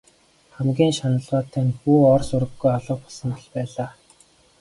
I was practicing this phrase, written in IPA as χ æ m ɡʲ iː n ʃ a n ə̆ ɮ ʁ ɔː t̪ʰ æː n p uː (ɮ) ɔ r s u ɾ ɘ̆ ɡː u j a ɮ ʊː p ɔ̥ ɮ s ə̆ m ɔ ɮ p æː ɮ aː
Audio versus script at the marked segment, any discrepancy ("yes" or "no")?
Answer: yes